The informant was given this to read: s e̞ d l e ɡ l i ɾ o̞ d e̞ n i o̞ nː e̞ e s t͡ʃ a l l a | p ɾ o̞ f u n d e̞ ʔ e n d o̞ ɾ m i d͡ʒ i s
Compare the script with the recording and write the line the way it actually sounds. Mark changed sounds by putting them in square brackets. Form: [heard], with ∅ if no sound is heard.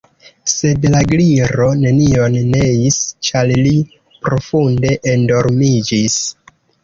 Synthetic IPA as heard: s e̞ d l [a] ɡ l i ɾ o̞ [n] e̞ n i o̞ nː e̞ [i] s t͡ʃ a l l [i] | p ɾ o̞ f u n d e̞ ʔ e n d o̞ ɾ m i d͡ʒ i s